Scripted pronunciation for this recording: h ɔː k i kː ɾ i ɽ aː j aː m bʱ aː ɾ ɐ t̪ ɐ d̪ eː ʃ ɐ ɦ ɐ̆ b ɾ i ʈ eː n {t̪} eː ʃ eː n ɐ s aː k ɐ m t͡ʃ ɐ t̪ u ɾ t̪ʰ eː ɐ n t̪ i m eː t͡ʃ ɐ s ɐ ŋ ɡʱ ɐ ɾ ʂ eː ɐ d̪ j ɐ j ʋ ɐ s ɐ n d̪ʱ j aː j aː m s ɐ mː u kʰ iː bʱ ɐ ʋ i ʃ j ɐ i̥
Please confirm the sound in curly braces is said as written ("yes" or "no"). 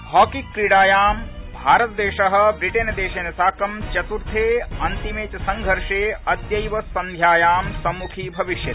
no